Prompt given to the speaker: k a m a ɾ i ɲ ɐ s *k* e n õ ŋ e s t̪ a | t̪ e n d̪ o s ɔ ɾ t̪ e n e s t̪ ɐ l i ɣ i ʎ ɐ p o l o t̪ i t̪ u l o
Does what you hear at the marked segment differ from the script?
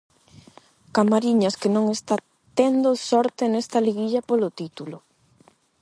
no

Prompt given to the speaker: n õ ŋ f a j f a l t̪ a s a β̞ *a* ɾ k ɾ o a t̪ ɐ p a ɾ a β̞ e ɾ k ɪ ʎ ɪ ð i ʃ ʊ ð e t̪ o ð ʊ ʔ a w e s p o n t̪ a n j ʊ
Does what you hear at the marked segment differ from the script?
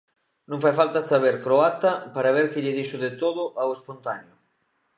yes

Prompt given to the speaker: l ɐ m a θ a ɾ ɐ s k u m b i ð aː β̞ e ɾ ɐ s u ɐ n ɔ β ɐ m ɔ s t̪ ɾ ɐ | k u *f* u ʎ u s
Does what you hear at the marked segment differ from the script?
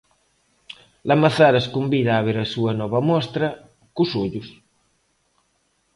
yes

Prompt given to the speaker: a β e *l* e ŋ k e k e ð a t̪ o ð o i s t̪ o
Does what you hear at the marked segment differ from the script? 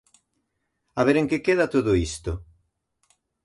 yes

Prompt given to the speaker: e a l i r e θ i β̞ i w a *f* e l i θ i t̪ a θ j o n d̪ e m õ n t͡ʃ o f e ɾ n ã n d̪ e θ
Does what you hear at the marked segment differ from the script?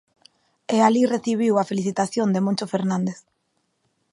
no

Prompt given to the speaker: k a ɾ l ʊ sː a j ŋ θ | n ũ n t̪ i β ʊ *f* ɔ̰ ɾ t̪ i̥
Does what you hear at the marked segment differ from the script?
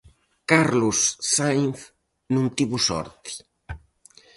yes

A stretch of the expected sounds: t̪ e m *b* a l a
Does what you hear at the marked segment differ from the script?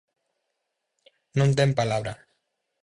yes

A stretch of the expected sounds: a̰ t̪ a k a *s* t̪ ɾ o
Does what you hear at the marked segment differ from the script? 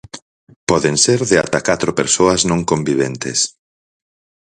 yes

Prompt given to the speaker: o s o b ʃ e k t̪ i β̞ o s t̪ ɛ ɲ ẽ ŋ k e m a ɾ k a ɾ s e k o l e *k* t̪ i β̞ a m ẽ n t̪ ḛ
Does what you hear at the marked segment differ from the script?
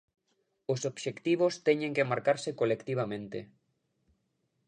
no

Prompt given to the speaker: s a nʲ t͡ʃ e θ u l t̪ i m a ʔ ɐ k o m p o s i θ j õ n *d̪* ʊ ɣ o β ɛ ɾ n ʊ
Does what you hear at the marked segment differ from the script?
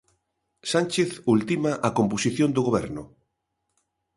no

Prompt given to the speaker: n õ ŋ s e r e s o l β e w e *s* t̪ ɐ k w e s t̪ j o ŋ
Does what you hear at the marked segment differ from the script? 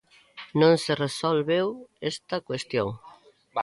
no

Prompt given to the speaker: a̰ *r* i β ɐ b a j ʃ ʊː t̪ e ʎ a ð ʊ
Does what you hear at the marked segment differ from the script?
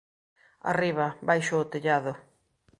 no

